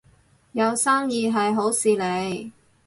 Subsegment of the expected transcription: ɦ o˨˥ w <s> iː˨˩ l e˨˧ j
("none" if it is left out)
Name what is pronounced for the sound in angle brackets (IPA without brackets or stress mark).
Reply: s